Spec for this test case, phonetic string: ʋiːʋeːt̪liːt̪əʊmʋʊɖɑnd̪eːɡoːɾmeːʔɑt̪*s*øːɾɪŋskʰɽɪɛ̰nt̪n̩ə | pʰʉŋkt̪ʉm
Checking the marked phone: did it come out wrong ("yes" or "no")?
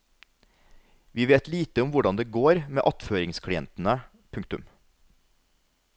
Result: yes